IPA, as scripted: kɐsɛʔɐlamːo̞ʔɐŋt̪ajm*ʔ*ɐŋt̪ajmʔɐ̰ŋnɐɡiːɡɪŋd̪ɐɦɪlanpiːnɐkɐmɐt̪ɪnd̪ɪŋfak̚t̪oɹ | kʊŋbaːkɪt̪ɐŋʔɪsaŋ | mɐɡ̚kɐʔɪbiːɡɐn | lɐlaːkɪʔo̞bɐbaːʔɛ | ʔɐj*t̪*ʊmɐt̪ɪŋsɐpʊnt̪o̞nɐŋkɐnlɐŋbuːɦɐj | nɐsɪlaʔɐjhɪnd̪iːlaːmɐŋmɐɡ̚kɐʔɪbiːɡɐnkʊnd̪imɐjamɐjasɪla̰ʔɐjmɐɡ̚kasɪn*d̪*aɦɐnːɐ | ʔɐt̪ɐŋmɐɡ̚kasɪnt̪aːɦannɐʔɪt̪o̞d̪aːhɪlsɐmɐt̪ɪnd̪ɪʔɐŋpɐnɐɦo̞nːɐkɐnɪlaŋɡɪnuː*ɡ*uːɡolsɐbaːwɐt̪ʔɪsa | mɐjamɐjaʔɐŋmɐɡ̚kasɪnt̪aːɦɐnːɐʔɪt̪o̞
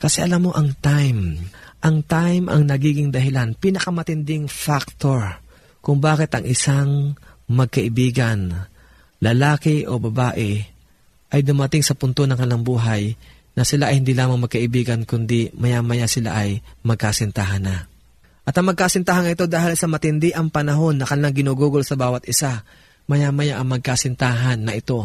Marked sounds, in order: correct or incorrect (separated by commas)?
correct, incorrect, incorrect, correct